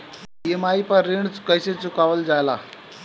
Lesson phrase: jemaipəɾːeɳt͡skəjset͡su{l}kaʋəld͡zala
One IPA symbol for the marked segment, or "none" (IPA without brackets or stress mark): none